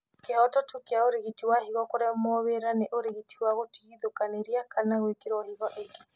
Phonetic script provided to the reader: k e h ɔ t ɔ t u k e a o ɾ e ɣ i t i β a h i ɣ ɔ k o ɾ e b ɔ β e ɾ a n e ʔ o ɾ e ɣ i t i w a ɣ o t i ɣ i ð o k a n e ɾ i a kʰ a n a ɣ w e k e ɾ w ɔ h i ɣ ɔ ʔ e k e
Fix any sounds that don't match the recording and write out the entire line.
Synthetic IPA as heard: k e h ɔ t ɔ t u k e a o ɾ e ɣ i t i w a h i ɣ ɔ k o ɾ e m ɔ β e ɾ a n e ʔ o ɾ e ɣ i t i w a ɣ o t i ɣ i ð o k a n e ɾ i a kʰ a n a ɣ w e k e ɾ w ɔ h i ɣ ɔ ʔ e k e